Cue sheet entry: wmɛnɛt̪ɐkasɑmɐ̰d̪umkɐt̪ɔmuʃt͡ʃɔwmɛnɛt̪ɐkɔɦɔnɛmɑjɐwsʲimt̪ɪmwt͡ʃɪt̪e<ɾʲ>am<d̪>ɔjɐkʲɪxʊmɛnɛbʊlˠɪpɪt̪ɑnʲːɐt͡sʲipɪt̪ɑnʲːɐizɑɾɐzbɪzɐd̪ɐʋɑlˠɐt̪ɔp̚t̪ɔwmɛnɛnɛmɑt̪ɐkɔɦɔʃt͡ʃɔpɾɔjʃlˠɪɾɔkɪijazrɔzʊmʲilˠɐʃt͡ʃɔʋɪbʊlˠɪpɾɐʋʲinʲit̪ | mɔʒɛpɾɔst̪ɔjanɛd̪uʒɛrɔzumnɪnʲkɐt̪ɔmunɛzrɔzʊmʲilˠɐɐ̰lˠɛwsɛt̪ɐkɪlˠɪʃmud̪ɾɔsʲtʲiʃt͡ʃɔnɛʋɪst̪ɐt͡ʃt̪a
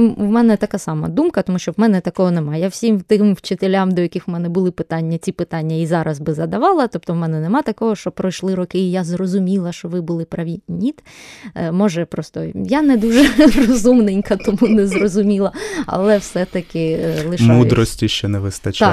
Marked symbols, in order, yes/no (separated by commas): no, yes